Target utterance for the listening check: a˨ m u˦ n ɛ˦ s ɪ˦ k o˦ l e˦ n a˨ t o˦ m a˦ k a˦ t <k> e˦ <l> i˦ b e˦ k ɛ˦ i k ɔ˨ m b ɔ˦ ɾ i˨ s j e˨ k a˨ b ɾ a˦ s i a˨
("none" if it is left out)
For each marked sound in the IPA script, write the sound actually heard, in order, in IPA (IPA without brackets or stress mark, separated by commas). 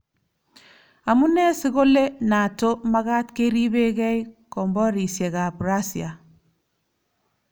k, ɾ